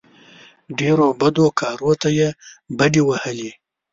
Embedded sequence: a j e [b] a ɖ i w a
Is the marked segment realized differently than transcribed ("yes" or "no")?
no